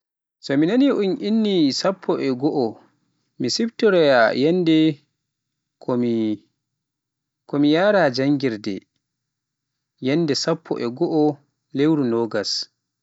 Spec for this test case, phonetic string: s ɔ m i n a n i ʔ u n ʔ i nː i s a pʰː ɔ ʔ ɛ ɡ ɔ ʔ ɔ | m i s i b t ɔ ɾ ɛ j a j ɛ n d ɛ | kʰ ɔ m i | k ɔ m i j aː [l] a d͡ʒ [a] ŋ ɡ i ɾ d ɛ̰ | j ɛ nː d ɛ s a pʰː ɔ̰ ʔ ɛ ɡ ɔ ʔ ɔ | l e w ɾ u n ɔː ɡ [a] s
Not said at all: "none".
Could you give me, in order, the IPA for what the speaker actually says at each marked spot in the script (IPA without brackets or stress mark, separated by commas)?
ɾ, a, a